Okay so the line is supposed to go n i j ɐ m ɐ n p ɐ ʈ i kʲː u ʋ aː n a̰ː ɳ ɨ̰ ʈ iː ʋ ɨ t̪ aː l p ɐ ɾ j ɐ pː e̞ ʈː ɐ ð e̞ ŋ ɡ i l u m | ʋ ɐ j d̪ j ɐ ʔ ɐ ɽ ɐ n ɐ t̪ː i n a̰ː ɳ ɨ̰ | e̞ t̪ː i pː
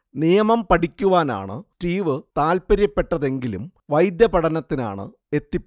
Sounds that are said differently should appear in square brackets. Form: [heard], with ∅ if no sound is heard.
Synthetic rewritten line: n i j ɐ m ɐ [m] p ɐ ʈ i kʲː u ʋ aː n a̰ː ɳ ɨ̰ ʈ iː ʋ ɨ t̪ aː l p ɐ ɾ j ɐ pː e̞ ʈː ɐ ð e̞ ŋ ɡ i l u m | ʋ ɐ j d̪ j ɐ [p] ɐ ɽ ɐ n ɐ t̪ː i n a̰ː ɳ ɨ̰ | e̞ t̪ː i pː